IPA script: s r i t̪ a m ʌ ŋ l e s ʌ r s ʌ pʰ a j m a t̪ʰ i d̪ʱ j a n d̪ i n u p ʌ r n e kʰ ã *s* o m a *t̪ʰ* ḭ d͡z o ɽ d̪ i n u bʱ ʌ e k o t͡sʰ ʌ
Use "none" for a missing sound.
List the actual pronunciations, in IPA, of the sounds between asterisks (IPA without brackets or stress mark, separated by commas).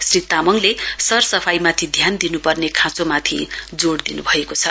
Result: t͡s, t̪ʰ